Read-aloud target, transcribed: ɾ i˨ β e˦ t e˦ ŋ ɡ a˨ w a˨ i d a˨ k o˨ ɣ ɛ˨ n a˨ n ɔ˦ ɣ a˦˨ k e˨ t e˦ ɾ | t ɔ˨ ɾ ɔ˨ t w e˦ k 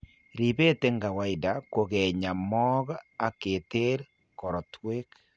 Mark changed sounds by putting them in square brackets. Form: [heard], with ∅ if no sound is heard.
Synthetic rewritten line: ɾ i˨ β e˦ t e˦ ŋ ɡ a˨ w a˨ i d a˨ k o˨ ɣ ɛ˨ [ɲ] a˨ [m] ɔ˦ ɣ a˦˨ k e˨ t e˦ ɾ | [k] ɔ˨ ɾ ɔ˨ t w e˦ k